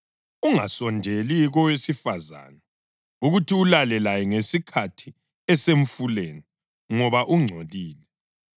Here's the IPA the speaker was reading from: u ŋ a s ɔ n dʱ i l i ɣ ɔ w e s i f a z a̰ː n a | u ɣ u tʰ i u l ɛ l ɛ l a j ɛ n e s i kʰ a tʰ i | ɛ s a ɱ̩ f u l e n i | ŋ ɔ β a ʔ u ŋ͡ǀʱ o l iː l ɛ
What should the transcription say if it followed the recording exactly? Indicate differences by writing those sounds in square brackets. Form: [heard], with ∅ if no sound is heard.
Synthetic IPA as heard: u ŋ a s ɔ n dʱ [e] l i ɣ ɔ w e s i f a z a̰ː n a | u ɣ u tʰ i u l [a] l ɛ l a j ɛ [ŋ] e s i kʰ a tʰ i | ɛ s [e] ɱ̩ f u l e n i | ŋ ɔ β a ʔ u ŋ͡ǀʱ o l iː l ɛ